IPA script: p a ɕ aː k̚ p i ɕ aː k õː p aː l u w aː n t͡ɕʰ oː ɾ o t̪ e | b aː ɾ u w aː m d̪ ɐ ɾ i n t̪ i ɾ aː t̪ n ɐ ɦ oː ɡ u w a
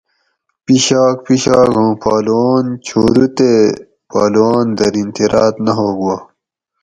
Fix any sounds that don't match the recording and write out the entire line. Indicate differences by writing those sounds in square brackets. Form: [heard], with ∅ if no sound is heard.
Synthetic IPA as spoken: p [i] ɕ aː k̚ p i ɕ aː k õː p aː l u w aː n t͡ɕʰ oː ɾ [u] t̪ e | [p] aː [l] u w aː [n] d̪ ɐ ɾ i n t̪ i ɾ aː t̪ n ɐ ɦ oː ɡ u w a